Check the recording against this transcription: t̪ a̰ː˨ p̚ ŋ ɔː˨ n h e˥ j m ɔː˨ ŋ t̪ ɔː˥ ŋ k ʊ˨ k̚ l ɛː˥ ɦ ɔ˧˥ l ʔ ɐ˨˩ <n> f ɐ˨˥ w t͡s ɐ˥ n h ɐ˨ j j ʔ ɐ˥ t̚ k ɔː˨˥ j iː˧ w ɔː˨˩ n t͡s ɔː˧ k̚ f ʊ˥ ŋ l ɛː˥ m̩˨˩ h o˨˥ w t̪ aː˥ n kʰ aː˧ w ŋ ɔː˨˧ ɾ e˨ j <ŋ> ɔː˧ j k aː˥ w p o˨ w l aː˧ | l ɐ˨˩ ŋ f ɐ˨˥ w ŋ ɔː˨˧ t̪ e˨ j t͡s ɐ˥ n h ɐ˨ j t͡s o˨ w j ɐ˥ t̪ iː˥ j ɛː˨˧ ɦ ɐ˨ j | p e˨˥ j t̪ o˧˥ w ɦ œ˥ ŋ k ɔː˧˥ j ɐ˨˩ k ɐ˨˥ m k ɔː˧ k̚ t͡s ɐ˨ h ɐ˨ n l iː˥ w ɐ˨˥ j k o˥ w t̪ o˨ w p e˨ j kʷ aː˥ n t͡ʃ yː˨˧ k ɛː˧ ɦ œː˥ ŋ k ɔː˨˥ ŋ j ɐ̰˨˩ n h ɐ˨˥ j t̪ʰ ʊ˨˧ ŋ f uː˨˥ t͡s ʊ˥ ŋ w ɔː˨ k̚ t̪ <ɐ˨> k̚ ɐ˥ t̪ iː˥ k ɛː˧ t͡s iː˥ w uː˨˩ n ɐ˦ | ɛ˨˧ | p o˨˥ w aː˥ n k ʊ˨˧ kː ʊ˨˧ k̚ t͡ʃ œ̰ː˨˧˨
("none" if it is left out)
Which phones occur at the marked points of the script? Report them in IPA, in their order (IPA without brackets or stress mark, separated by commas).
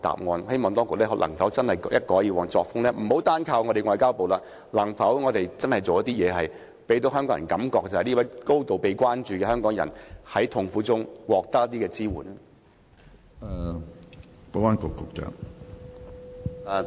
ŋ, ŋ, ɐ˥